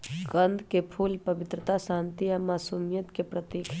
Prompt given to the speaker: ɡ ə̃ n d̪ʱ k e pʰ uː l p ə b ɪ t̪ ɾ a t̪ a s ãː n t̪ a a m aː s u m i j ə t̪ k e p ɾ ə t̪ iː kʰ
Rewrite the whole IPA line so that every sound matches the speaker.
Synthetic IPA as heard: ɡ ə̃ n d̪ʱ k e pʰ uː l p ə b ɪ t̪ ɾ ə t̪ a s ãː n t̪ i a m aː s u m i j ə t̪ k e p ɾ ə t̪ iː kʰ